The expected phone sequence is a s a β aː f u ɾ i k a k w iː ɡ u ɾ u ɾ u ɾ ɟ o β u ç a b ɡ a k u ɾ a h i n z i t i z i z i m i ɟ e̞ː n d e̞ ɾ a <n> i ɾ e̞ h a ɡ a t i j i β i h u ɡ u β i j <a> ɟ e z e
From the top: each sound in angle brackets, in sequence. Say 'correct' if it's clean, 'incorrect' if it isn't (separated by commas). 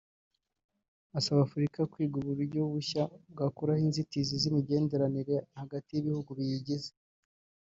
correct, incorrect